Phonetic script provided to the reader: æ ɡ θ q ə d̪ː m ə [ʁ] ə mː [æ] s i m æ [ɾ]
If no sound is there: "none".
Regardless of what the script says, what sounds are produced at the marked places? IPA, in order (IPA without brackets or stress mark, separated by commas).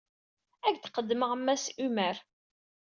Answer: ʁ, æ, ɾ